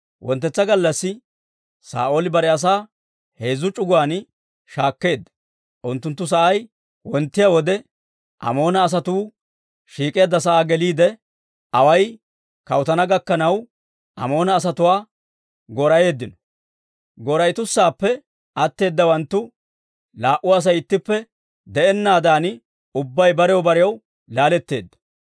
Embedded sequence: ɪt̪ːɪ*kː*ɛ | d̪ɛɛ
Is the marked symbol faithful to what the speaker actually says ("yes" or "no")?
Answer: no